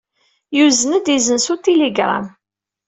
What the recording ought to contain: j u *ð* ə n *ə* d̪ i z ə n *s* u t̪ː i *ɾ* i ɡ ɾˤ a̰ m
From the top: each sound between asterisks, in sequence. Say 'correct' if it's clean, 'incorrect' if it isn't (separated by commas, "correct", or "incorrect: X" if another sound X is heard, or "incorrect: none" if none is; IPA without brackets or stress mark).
incorrect: z, correct, correct, incorrect: l